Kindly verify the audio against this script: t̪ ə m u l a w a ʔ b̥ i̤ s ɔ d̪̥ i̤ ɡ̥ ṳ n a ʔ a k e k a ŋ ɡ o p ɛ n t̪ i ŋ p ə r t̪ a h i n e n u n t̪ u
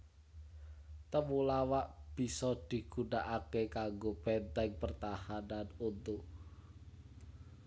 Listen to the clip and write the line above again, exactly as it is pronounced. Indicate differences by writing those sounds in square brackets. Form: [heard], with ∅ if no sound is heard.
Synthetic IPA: t̪ ə m u l a w a ʔ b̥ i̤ s ɔ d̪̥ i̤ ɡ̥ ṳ n a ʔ a k e k a ŋ ɡ o p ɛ n t̪ [ɛ] ŋ p ə r t̪ a h [a] n [a] n u n t̪ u